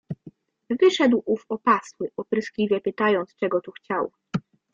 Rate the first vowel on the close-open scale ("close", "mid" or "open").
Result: mid